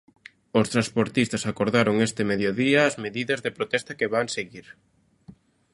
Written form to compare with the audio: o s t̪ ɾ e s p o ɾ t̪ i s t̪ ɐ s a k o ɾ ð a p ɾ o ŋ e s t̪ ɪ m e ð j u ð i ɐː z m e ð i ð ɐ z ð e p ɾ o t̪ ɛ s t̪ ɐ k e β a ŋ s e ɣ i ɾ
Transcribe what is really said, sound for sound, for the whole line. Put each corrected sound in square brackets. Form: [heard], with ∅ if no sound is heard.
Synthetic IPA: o s t̪ ɾ [a] s p o ɾ t̪ i s t̪ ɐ s a k o ɾ ð a [∅] ɾ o ŋ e s t̪ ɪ m e ð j [o] ð i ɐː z m e ð i ð ɐ z ð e p ɾ o t̪ ɛ s t̪ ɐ k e β a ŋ s e ɣ i ɾ